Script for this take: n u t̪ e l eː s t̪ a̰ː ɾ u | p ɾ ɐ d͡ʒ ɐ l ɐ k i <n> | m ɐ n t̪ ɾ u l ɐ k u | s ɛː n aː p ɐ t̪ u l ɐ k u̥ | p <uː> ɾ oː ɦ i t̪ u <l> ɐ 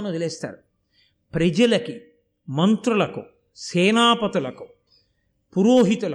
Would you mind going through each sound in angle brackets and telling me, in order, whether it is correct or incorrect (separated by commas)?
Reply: incorrect, incorrect, correct